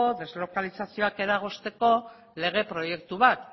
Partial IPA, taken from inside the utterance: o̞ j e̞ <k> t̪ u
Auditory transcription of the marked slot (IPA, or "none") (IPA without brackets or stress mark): k